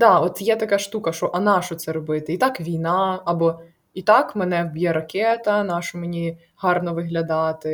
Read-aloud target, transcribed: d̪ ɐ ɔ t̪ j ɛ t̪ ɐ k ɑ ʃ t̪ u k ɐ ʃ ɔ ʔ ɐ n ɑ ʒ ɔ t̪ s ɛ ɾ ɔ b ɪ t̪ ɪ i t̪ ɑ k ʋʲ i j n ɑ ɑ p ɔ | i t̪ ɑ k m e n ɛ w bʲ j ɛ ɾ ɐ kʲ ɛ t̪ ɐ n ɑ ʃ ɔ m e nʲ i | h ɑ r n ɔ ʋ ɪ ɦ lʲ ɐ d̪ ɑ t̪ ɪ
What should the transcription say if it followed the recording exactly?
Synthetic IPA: d̪ ɑ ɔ t̪ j ɛ t̪ ɐ k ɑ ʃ t̪ u k ɐ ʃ ɔ ʔ ɐ n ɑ ʃ ɔ t̪ s ɛ ɾ ɔ b ɪ t̪ ɪ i t̪ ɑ k ʋʲ i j n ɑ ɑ b ɔ | i t̪ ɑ k m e n ɛ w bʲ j ɛ ɾ ɐ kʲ ɛ t̪ ɐ n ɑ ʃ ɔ m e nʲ i | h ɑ r n ɔ ʋ ɪ ɦ lʲ ɐ d̪ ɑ t̪ ɪ